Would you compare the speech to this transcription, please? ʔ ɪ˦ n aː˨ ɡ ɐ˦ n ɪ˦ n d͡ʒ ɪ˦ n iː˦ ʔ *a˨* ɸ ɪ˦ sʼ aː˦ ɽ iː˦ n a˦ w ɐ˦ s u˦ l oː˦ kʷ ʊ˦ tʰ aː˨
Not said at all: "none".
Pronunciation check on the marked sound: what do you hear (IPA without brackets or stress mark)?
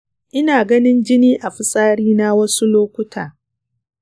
a˨